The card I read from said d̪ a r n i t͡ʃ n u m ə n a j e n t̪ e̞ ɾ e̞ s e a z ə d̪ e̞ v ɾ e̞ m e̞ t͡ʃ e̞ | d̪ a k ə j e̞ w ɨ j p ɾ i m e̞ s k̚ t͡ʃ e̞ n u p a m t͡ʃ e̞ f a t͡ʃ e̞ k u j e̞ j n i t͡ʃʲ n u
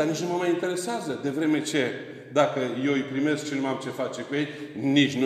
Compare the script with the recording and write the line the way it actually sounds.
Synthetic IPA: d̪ a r n i t͡ʃ n u m ə m a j i n t̪ e̞ ɾ e̞ s e a z ə d̪ e̞ v ɾ e̞ m e̞ t͡ʃ e̞ | d̪ a k ə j e̞ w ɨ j p ɾ i m e̞ s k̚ t͡ʃ e̞ n u a m t͡ʃ e̞ f a t͡ʃ e̞ k u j e̞ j n i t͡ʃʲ n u